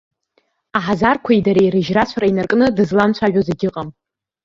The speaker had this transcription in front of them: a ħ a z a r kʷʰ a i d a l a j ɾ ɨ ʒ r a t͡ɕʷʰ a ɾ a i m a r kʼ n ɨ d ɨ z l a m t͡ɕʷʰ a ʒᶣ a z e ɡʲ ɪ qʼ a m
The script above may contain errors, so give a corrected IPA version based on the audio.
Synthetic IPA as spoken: a ħ a z a r kʷʰ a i d a ɾ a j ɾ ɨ ʒ r a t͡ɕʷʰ a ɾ a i n a r kʼ n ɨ d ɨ z l a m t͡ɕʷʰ a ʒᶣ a z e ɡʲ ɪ qʼ a m